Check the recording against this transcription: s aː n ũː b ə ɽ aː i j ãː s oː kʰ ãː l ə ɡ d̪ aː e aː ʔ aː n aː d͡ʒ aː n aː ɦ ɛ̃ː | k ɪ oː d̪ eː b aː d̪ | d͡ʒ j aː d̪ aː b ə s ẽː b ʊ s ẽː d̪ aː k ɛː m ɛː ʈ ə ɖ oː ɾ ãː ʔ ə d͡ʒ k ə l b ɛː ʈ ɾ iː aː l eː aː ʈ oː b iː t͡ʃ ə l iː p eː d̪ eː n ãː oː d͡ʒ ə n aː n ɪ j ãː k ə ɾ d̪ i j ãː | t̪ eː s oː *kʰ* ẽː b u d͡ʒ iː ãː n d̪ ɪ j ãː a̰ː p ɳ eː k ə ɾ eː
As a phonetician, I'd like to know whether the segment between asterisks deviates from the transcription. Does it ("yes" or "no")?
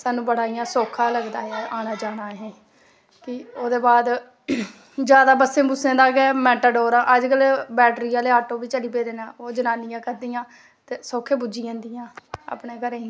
no